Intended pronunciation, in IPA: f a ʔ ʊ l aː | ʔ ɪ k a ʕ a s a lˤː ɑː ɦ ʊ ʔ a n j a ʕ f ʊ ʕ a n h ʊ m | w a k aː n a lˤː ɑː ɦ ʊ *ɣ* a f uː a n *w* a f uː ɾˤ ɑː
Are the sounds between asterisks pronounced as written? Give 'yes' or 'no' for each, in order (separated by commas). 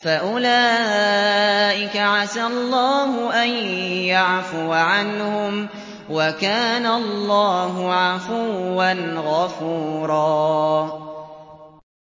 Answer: no, no